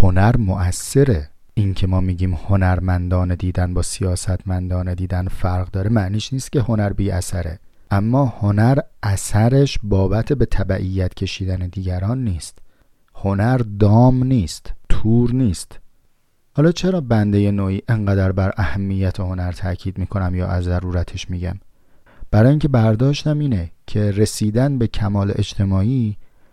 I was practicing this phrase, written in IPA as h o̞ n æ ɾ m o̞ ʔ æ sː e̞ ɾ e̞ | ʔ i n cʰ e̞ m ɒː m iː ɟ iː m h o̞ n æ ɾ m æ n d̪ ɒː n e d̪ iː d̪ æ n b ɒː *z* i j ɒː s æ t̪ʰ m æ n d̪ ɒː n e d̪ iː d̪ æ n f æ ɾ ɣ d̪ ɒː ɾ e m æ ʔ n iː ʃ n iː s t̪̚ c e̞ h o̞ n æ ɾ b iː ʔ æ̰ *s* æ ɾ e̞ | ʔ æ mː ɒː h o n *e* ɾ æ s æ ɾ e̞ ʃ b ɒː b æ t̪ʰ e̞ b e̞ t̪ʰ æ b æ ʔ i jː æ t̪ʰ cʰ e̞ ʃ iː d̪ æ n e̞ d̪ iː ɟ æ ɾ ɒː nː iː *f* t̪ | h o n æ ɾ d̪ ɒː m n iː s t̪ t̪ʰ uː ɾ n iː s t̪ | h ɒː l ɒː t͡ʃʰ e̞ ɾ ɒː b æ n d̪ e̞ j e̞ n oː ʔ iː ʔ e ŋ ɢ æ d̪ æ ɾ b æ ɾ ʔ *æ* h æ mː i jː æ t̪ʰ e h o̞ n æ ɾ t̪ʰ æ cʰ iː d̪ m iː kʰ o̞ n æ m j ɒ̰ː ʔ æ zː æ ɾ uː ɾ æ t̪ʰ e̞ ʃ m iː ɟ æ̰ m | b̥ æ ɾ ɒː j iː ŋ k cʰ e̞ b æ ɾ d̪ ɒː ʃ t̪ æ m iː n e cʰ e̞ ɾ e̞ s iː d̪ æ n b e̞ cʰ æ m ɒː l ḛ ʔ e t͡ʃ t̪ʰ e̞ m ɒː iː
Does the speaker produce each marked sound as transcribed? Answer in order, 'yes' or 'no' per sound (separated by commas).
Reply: no, yes, no, no, yes